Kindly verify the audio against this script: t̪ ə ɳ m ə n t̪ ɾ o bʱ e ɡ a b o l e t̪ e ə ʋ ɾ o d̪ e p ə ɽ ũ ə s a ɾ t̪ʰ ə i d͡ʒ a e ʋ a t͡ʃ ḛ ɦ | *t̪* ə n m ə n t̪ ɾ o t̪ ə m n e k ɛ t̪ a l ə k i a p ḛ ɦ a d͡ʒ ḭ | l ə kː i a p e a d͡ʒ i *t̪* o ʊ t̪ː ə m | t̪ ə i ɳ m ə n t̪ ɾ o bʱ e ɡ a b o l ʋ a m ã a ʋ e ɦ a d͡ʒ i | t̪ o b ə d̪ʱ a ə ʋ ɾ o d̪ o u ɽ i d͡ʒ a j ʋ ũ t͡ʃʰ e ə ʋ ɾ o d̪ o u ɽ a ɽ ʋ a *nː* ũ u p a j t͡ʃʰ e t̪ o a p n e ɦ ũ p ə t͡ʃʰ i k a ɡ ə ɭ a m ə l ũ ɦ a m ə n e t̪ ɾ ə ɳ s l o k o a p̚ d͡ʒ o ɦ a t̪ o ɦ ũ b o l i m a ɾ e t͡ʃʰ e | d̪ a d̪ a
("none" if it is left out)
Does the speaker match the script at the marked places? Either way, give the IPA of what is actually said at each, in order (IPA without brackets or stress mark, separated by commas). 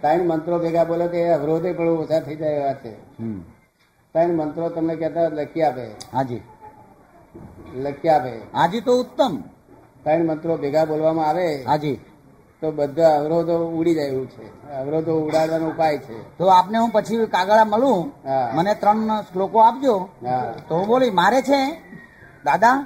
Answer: t̪, t̪, n